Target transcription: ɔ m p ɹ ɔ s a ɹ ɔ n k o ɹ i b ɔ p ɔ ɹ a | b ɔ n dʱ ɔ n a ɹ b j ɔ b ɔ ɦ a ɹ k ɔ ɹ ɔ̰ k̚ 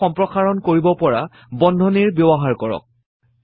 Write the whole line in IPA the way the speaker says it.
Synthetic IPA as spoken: ɔ m p ɹ ɔ x a ɹ ɔ n k o ɹ i b ɔ p ɔ ɹ a | b ɔ n dʱ ɔ n i ɹ b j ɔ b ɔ ɦ a ɹ k ɔ ɹ ɔ̰ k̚